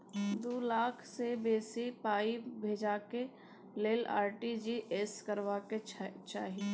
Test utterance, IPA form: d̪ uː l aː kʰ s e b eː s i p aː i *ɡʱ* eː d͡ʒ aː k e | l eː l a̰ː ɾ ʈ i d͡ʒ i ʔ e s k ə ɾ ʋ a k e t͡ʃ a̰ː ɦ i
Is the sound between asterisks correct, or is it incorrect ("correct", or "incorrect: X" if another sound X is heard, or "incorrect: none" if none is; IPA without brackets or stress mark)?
incorrect: bʱ